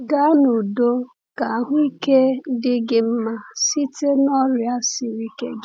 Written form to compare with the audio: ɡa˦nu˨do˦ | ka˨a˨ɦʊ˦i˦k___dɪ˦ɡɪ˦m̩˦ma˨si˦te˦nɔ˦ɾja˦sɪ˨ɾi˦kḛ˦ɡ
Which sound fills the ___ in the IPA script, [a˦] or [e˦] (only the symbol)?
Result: e˦